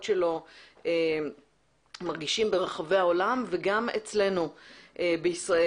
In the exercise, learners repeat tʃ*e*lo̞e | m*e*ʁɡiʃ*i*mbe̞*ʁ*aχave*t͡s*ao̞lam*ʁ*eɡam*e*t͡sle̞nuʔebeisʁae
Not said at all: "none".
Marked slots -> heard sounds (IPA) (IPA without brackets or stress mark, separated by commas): e, a, i, ʁ, none, v, e